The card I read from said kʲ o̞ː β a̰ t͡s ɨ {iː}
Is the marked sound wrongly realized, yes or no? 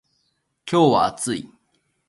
yes